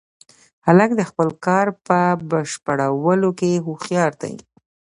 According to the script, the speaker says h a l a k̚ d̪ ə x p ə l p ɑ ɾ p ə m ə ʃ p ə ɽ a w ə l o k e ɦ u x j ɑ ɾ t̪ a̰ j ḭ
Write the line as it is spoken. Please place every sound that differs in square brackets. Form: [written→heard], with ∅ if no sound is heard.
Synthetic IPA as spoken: h a l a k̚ d̪ ə x p ə l [p→k] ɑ ɾ p ə [m→b] ə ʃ p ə ɽ a w ə l o k e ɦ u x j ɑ ɾ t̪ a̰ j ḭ